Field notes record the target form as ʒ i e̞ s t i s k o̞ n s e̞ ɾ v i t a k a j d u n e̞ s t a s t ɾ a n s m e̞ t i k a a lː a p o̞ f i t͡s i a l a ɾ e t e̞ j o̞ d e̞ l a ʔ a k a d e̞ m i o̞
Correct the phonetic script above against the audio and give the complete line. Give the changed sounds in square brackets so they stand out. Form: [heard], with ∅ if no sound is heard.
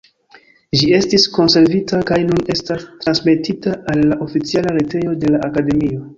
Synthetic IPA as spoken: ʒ i e̞ s t i s k o̞ n s e̞ ɾ v i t a k a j [n] u n e̞ s t a s t ɾ a n s m e̞ t i [t] a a lː a [ʔ] o̞ f i t͡s i a l a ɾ e t e̞ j o̞ d e̞ l a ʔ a k a d e̞ m i o̞